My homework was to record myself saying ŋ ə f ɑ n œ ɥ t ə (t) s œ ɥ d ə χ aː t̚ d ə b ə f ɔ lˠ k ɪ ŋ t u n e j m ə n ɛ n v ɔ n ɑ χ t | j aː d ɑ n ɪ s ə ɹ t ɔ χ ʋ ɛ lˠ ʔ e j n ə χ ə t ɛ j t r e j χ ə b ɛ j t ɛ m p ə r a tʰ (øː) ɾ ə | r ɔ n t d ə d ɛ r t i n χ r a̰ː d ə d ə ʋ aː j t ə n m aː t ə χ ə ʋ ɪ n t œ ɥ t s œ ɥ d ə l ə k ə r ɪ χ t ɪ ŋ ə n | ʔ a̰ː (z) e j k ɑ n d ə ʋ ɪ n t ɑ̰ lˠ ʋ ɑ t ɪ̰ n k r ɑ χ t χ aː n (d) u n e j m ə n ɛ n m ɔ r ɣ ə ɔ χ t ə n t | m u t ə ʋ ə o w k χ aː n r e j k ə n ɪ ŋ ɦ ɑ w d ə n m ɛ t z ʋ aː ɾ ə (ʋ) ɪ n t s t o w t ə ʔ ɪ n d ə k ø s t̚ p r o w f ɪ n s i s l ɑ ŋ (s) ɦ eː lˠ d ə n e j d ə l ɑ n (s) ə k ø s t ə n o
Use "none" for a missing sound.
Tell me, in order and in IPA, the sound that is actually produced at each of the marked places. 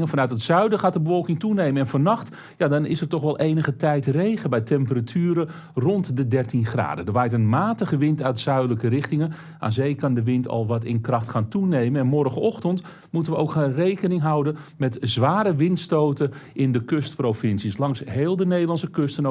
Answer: t, yː, z, t, ʋ, s, s

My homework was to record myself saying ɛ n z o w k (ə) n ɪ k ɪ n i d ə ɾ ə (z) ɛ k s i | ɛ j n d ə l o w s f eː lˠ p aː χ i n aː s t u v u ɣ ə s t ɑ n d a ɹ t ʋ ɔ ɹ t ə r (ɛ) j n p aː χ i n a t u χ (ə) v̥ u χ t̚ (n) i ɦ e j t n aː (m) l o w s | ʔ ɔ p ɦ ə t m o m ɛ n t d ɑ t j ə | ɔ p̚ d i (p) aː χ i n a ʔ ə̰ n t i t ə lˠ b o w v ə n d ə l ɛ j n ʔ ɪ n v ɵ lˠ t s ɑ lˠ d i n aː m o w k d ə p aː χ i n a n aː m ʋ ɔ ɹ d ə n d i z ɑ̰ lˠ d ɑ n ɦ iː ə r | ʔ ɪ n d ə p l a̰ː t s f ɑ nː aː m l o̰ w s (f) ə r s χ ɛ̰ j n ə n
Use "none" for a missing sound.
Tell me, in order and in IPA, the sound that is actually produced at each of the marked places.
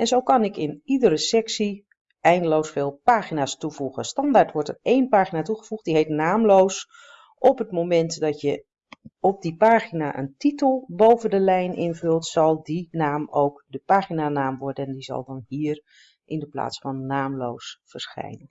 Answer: ɑ, s, e, ə, d, m, p, f

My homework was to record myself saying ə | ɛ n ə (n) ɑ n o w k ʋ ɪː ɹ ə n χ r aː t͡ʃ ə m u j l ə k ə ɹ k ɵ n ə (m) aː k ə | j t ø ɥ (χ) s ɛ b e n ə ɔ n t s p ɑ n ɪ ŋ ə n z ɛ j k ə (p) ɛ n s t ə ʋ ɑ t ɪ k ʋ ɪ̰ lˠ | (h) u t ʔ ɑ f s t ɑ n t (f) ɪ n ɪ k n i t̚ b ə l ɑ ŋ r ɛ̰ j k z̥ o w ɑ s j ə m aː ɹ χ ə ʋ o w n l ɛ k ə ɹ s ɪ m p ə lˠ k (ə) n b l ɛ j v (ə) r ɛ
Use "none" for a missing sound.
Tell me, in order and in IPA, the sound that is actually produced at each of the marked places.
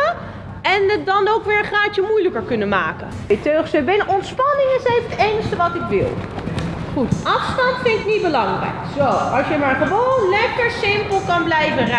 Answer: d, m, χ, t, χ, f, ɑ, ə

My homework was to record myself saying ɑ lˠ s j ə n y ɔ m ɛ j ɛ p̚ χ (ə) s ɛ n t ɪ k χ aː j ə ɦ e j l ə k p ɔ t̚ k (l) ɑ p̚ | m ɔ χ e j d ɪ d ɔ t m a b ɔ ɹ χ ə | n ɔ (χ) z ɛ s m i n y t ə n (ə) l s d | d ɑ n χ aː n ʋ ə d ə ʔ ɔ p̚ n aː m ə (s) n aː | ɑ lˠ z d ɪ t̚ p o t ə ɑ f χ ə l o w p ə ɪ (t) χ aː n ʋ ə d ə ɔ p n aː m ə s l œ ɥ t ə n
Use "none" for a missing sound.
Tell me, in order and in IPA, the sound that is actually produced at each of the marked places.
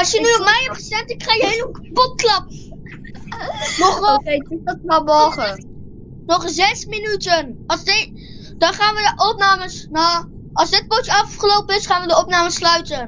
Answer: ə, l, χ, ɑ, s, s

